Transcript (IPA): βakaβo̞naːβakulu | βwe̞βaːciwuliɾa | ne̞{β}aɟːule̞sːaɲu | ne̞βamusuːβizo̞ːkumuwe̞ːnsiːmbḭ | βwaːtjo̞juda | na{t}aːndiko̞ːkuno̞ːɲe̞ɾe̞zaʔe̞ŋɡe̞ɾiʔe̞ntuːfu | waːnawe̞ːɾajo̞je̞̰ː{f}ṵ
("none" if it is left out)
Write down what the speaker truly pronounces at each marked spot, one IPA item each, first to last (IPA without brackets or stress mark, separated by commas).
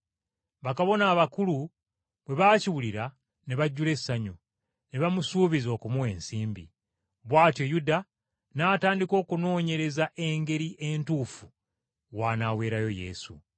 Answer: β, t, s